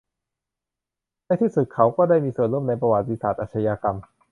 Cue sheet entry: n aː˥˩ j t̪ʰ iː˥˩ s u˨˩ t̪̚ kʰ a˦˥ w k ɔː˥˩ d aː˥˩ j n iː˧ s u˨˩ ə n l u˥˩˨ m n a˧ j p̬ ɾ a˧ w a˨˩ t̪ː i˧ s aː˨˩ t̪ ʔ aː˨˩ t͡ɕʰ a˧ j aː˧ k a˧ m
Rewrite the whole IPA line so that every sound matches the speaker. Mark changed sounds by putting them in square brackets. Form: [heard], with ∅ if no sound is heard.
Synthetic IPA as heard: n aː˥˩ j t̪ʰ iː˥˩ s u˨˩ t̪̚ kʰ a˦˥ w k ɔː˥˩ d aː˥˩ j [m] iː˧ s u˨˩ ə n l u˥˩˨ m n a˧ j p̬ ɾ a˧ w a˨˩ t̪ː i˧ s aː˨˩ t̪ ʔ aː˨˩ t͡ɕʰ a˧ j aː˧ k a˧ m